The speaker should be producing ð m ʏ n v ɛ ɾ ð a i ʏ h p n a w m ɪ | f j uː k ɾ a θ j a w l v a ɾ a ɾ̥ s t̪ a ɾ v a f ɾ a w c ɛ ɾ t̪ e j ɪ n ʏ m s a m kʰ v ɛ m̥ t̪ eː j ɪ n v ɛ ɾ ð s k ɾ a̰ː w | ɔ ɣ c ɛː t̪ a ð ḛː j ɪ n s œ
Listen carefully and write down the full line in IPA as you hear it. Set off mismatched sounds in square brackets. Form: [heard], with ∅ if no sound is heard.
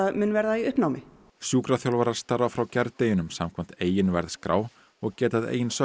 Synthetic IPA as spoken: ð m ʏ n v ɛ ɾ ð a i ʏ h p n a w m ɪ | [s] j uː k ɾ a θ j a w l v a ɾ a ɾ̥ s t̪ a ɾ v a f ɾ a w c ɛ ɾ t̪ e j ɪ n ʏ m s a m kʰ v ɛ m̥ t̪ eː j ɪ n v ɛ ɾ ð s k ɾ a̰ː w | ɔ ɣ c ɛː t̪ a ð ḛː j ɪ n s œ